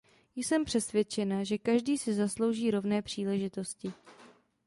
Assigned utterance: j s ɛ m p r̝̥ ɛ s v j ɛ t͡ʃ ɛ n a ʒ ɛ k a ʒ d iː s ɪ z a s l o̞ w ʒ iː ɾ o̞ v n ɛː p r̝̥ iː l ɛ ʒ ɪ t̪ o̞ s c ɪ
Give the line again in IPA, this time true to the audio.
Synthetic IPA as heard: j s ɛ m p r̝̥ ɛ s v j ɛ t͡ʃ ɛ n a ʒ ɛ k a ʒ d iː s ɪ z a s l o̞ w ʒ iː ɾ o̞ v n ɛː p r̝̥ iː l ɛ ʒ ɪ t̪ o̞ s c ɪ